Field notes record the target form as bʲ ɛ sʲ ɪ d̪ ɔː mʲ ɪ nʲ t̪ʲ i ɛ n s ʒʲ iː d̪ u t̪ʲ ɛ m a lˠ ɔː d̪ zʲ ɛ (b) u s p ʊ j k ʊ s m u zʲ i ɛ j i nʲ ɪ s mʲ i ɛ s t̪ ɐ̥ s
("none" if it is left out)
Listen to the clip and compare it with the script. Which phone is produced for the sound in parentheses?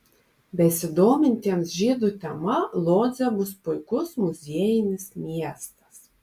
b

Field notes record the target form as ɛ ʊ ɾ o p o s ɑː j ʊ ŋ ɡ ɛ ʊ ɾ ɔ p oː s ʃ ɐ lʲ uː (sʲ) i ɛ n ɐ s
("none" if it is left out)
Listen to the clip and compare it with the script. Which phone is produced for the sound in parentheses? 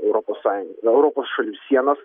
sʲ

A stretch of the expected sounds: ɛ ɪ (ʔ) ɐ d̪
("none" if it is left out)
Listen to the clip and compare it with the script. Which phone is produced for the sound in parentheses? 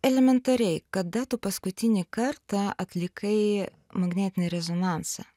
k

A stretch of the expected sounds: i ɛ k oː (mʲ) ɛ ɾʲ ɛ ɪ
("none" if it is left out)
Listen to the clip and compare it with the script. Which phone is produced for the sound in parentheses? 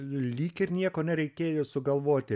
nʲ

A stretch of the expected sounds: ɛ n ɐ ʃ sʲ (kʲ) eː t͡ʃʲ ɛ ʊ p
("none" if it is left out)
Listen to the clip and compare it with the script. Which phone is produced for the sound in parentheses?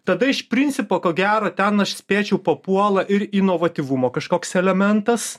pʲ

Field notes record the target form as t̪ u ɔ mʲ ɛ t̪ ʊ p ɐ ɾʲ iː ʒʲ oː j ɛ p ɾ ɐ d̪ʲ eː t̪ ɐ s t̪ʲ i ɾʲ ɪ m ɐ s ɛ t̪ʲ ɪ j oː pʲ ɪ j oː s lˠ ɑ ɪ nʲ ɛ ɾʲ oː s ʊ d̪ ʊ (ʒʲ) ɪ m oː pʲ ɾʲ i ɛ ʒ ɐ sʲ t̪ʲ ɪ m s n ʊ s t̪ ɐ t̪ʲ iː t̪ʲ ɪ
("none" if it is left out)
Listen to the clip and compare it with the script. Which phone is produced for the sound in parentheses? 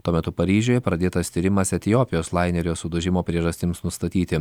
ʒʲ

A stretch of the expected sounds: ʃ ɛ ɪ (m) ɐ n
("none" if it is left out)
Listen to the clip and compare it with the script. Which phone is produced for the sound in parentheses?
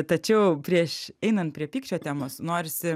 n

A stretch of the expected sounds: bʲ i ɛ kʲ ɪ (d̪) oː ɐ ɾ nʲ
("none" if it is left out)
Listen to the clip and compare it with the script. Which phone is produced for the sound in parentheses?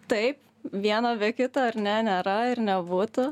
t̪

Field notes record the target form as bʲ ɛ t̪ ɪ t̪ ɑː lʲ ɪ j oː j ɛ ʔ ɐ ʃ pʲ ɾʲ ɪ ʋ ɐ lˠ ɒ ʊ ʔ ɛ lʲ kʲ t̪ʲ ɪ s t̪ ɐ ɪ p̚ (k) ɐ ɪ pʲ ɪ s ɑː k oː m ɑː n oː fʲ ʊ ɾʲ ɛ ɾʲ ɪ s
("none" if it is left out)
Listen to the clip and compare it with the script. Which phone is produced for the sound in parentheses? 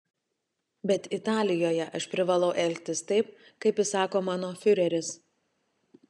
k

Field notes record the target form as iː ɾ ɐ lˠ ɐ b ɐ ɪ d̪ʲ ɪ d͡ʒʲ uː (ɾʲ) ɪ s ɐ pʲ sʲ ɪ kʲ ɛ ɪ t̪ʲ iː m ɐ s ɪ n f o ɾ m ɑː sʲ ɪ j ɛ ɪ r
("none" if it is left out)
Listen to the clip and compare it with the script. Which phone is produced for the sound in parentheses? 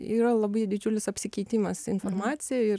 lʲ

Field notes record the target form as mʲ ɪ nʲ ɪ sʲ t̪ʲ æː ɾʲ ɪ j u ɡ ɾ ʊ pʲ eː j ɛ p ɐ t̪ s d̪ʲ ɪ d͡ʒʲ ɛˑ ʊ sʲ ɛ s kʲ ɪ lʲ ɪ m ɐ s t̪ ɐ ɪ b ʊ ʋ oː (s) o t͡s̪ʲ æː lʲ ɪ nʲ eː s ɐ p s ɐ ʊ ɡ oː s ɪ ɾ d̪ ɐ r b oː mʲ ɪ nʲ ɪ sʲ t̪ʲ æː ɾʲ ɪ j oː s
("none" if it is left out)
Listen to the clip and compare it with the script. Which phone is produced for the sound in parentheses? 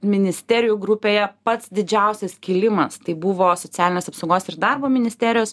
s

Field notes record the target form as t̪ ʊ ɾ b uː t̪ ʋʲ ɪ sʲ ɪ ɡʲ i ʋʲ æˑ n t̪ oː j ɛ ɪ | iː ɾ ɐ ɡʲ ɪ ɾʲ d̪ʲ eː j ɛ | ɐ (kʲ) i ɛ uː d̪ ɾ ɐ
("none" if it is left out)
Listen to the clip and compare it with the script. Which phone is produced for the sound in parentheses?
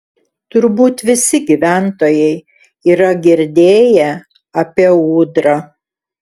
pʲ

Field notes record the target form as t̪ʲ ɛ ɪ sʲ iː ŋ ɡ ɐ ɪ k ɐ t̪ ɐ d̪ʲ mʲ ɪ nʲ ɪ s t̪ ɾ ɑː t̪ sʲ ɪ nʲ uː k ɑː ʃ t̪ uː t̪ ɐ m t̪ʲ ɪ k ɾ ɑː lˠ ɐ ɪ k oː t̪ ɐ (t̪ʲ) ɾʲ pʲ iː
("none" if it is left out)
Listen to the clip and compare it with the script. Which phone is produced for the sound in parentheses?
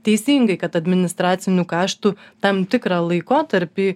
none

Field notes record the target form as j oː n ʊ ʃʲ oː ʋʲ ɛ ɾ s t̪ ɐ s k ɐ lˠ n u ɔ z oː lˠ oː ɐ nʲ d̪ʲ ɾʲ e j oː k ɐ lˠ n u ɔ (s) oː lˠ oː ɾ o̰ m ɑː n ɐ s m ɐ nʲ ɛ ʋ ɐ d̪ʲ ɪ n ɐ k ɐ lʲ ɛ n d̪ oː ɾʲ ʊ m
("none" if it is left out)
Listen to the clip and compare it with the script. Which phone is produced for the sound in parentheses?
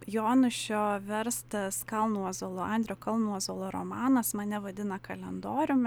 z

